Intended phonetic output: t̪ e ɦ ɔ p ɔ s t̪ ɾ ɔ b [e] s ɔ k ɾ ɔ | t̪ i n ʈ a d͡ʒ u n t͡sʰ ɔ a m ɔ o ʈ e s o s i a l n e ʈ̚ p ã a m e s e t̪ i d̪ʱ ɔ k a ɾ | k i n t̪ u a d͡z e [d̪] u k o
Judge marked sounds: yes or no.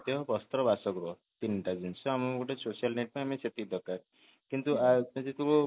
no, no

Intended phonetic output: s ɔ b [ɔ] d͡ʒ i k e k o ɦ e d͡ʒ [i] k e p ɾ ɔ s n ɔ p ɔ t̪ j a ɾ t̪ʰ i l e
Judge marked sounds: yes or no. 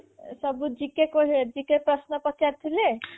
no, yes

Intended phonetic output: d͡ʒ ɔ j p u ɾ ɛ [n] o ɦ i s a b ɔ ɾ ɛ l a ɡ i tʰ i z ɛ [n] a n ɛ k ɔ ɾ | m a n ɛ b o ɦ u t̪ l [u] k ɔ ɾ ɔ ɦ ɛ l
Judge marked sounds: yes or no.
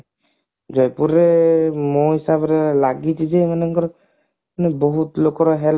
no, no, no

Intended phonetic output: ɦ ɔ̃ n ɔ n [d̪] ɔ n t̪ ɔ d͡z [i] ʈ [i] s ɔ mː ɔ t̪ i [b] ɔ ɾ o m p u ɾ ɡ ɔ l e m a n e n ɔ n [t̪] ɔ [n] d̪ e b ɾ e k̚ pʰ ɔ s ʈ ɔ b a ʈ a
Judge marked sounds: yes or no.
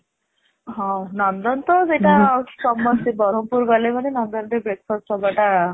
yes, no, no, yes, no, yes

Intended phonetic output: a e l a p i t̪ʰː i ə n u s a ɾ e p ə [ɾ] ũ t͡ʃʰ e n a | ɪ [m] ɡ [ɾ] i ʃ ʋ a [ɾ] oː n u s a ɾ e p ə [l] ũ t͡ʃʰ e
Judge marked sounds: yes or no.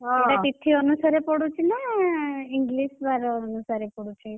no, no, no, yes, no

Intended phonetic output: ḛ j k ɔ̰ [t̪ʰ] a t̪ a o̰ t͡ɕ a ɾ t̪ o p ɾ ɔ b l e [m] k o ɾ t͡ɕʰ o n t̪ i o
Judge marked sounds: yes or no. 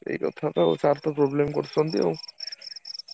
yes, yes

